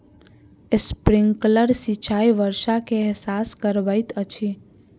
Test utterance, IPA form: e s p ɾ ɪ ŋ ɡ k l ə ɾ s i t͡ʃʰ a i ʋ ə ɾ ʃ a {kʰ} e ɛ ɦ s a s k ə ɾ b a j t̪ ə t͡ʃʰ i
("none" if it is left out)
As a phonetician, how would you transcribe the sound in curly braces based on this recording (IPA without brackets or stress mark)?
k